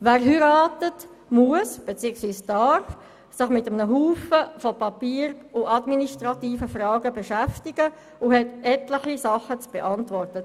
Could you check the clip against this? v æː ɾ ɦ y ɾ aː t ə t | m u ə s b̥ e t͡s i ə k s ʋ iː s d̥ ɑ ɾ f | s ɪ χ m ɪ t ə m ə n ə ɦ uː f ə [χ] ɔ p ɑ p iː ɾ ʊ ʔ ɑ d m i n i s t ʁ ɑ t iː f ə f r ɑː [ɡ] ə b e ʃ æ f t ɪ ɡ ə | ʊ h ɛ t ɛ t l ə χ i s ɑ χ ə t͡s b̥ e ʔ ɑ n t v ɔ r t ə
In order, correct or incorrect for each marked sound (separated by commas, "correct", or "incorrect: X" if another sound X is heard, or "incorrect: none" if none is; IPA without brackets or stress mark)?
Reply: incorrect: f, correct